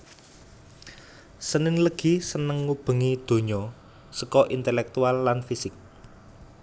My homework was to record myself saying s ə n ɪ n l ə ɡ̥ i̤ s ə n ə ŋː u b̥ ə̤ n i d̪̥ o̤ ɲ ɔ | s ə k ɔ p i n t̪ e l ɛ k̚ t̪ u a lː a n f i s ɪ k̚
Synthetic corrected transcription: s ə n ɪ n l ə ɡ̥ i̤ s ə n ə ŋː u b̥ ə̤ ŋ i d̪̥ o̤ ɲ ɔ | s ə k ɔ ʔ i n t̪ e l ɛ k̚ t̪ u a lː a n f i s ɪ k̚